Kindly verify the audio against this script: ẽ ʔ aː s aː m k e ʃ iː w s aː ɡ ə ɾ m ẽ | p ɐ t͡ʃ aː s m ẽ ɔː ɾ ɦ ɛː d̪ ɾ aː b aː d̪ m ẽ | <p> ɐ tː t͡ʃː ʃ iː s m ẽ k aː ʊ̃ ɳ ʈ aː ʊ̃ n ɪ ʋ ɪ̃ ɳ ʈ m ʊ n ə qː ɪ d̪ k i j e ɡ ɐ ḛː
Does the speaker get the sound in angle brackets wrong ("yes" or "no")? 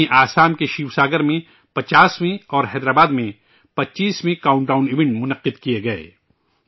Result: no